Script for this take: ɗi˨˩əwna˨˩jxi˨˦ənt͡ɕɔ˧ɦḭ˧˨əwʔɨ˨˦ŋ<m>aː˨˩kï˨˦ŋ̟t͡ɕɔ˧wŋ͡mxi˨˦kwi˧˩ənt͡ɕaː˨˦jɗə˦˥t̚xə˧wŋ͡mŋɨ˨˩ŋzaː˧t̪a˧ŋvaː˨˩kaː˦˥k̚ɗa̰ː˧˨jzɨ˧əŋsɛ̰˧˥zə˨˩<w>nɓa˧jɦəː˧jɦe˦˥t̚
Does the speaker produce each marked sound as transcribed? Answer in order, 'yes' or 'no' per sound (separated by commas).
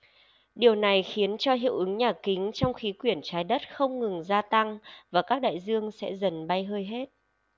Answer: no, no